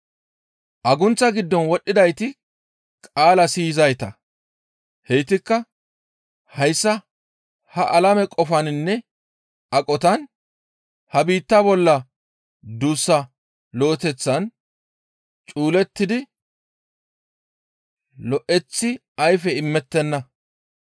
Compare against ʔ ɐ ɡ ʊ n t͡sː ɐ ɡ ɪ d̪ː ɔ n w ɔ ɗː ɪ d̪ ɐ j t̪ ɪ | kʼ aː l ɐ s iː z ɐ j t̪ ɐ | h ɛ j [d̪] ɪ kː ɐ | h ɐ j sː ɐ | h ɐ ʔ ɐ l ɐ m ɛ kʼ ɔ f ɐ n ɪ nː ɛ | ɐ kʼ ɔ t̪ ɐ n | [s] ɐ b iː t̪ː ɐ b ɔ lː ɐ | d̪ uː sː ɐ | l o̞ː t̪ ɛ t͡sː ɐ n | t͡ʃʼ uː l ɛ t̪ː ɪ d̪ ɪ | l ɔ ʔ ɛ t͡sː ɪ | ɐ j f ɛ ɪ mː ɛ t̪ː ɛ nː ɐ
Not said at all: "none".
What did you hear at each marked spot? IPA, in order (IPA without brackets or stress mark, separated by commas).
t̪, h